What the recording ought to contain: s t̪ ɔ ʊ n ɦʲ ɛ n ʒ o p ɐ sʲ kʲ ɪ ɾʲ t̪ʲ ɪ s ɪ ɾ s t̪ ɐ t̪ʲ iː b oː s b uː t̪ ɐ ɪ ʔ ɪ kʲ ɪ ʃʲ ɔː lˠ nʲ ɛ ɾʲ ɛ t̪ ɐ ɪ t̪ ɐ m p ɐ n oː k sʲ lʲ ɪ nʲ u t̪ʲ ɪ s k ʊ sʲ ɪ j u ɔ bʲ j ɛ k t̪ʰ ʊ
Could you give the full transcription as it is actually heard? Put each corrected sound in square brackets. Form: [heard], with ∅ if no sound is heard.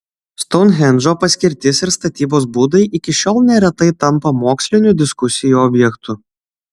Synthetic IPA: s t̪ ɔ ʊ n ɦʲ ɛ n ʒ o p ɐ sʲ kʲ ɪ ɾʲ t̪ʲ ɪ s ɪ ɾ s t̪ ɐ t̪ʲ iː b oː s b uː [d̪] ɐ ɪ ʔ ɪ kʲ ɪ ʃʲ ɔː lˠ nʲ ɛ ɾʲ ɛ t̪ ɐ ɪ t̪ ɐ m p ɐ [m] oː k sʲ lʲ ɪ nʲ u [d̪ʲ] ɪ s k ʊ sʲ ɪ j u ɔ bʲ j ɛ k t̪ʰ ʊ